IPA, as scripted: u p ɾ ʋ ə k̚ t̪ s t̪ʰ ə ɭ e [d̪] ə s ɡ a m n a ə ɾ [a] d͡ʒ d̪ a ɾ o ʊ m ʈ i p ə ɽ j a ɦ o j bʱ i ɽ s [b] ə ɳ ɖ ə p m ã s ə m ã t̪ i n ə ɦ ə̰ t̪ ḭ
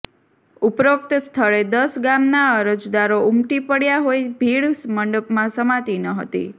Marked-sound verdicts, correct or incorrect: correct, incorrect, incorrect

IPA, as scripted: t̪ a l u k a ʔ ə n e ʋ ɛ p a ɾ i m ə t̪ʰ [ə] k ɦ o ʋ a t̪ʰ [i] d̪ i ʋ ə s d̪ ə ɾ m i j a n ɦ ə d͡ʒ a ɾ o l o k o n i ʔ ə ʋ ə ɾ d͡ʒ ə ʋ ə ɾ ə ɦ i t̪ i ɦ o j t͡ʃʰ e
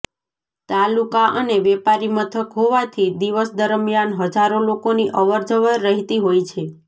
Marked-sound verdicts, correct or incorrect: correct, correct

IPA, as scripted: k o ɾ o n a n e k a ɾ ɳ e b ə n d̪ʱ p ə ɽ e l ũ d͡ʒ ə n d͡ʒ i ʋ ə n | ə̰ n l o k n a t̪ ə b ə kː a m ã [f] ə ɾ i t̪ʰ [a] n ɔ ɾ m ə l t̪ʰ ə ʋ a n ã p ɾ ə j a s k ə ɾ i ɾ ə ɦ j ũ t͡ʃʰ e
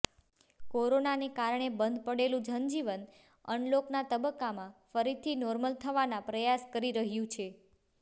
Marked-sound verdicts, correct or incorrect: correct, incorrect

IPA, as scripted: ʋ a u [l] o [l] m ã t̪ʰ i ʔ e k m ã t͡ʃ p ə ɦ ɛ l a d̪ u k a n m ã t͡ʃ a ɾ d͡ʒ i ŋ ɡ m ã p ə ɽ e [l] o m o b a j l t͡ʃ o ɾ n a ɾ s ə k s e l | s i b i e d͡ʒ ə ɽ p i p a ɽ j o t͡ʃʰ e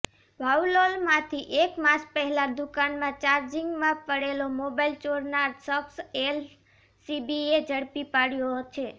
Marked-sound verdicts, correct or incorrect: correct, correct, correct

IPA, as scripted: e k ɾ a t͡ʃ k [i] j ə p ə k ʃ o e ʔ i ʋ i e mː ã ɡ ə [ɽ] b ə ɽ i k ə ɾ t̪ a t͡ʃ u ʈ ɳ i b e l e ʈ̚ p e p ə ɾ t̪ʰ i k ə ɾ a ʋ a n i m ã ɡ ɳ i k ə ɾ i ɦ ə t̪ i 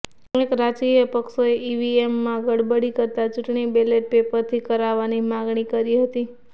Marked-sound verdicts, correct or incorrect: correct, correct

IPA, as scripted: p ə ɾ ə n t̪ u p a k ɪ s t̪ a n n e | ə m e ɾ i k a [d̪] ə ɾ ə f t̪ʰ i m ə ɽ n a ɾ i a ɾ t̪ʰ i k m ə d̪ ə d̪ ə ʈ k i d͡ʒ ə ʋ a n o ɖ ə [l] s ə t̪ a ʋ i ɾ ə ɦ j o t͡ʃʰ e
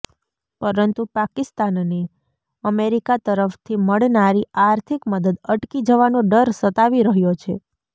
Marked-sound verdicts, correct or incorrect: incorrect, incorrect

